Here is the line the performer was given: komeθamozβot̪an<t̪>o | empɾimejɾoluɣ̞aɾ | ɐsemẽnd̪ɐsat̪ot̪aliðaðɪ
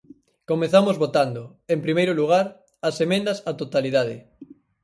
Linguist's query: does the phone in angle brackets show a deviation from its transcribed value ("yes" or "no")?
yes